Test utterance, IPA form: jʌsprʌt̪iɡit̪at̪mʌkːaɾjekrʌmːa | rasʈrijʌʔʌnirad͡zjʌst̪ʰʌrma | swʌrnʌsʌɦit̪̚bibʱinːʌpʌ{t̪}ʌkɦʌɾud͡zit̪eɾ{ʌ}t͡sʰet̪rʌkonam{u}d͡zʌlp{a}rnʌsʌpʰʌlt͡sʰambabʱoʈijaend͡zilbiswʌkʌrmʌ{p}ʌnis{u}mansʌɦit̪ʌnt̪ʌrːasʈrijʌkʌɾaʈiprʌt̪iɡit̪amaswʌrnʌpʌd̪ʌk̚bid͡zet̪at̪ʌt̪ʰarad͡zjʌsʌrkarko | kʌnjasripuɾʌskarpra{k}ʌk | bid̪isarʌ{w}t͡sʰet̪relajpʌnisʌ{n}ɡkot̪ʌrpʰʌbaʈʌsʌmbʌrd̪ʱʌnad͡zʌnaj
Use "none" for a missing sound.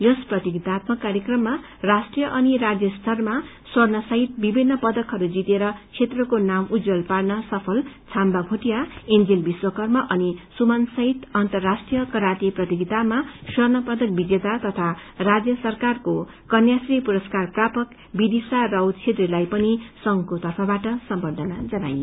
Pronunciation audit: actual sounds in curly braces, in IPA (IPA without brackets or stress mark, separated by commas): d̪, ʌ, u, a, ʔ, u, p, w, ŋ